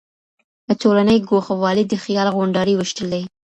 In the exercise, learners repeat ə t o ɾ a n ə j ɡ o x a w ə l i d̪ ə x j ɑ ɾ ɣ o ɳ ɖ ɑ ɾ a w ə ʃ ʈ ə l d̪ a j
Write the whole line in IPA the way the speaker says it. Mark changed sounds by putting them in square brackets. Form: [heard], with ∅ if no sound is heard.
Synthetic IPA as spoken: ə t o [l] a n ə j ɡ o x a w [ɑ] l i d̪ ə x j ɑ [l] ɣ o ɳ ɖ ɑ ɾ [i] w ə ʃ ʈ ə l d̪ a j